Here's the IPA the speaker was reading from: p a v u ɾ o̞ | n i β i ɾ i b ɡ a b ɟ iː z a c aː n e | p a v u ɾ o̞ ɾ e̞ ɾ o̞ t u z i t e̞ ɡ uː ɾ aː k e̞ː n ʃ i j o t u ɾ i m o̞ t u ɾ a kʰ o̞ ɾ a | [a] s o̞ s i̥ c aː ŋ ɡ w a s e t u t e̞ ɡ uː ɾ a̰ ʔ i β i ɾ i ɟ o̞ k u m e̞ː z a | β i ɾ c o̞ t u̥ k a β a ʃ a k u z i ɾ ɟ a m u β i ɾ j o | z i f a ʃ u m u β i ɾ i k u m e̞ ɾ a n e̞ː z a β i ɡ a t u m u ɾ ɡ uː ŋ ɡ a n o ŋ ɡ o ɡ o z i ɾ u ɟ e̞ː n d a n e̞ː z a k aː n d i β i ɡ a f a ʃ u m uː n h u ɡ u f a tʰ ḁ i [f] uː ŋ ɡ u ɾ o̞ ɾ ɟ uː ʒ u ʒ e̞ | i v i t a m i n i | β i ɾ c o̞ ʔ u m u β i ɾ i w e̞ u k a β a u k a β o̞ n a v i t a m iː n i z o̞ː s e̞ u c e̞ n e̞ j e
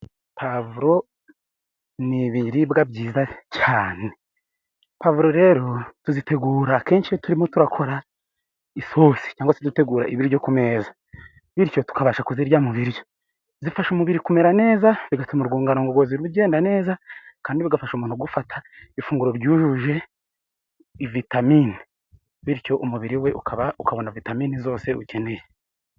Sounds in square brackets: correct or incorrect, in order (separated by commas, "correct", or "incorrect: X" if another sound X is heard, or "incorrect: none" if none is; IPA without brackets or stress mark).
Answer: incorrect: i, correct